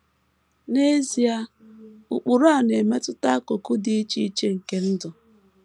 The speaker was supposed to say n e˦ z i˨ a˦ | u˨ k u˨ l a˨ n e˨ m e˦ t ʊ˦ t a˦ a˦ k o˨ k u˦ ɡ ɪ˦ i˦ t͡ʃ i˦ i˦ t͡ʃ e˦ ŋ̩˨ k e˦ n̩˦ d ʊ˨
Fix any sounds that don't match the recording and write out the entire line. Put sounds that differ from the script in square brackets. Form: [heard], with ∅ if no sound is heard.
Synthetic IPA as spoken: n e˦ z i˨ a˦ | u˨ [k͡p] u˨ [ɾ] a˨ n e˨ m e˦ t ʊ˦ t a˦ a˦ k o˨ k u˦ [d] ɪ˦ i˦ t͡ʃ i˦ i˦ t͡ʃ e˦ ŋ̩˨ k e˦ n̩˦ d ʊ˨

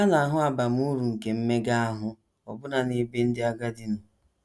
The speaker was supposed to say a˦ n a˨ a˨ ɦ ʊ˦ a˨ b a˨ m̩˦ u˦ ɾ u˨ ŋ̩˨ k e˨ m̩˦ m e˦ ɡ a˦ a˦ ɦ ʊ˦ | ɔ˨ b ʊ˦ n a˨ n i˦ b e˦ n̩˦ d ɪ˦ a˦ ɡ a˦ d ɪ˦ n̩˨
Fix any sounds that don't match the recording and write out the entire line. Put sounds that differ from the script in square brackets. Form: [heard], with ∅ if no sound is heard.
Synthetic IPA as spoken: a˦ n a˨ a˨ ɦ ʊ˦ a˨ b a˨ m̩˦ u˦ ɾ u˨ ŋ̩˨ k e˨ m̩˦ m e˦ ɡ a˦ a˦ ɦ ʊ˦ | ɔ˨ b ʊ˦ n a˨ n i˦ b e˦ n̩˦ d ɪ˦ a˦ ɡ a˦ d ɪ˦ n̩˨

